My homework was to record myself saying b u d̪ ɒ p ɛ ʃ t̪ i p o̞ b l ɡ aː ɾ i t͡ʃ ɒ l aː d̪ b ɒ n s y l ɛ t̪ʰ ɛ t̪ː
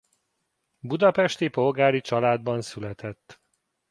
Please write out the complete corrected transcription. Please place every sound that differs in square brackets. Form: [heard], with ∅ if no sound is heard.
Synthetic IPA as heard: b u d̪ ɒ p ɛ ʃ t̪ i p o̞ [∅] l ɡ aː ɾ i t͡ʃ ɒ l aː d̪ b ɒ n s y l ɛ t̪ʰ ɛ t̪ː